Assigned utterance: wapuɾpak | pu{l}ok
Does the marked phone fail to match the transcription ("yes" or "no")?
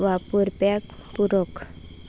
yes